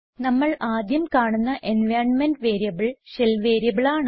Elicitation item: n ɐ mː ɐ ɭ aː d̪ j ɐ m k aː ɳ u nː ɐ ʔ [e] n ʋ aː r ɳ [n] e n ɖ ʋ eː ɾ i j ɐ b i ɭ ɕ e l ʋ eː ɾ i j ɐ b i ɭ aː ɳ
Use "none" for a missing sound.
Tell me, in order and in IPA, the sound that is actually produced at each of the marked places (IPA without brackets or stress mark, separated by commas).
e, m